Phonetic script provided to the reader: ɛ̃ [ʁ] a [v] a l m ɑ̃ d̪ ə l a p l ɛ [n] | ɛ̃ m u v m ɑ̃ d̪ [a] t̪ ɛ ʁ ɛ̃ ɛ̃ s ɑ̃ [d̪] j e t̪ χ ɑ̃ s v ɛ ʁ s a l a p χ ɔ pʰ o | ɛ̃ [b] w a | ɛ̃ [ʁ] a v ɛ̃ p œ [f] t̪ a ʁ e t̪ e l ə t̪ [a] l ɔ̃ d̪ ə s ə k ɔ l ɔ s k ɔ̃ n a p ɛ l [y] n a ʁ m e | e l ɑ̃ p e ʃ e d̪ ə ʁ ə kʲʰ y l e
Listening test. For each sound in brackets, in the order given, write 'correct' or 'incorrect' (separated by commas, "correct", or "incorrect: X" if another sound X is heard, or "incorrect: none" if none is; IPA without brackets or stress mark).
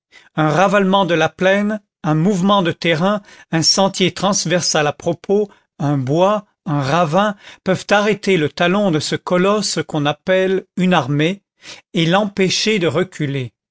correct, correct, correct, incorrect: ə, incorrect: t̪, correct, correct, incorrect: v, correct, correct